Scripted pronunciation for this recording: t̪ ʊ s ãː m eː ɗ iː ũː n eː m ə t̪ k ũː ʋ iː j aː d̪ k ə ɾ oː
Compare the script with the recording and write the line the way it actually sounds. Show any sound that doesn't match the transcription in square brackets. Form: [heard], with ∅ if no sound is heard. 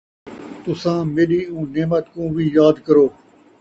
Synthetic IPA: t̪ ʊ s ãː m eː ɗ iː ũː n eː m ə t̪ k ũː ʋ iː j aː d̪ k ə ɾ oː